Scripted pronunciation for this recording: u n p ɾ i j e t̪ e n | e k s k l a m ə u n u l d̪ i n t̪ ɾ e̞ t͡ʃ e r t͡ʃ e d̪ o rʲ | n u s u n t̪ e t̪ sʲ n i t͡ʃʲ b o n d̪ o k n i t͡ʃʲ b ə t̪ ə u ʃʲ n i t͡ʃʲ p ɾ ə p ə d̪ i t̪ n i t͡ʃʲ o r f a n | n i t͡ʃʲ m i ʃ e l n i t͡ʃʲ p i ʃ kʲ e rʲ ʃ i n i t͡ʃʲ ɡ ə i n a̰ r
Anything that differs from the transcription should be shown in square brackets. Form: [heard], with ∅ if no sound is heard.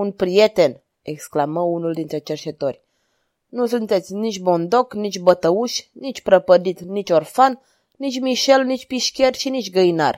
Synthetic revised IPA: u n p ɾ i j e t̪ e n | e k s k l a m ə u n u l d̪ i n t̪ ɾ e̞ t͡ʃ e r t͡ʃ e [t̪] o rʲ | n u s u n t̪ e t̪ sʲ n i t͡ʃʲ b o n d̪ o k n i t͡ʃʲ b ə t̪ ə u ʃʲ n i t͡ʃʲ p ɾ ə p ə d̪ i t̪ n i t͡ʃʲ o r f a n | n i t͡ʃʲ m i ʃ e l n i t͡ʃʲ p i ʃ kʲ e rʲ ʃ i n i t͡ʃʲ ɡ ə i n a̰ r